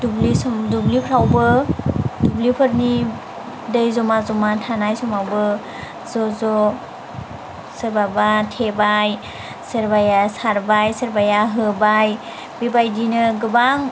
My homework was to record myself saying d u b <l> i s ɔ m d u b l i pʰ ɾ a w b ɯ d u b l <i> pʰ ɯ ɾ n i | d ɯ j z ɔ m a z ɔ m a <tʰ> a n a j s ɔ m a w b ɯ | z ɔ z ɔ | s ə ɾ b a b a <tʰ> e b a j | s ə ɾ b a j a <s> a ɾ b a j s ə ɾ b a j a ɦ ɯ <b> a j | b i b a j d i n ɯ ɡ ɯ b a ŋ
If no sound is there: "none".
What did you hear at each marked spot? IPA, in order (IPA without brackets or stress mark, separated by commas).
l, i, tʰ, tʰ, s, b